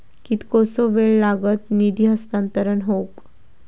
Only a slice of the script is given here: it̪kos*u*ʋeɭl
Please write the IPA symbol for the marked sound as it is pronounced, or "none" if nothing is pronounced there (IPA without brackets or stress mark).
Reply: o